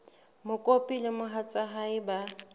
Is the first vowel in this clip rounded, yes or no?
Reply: yes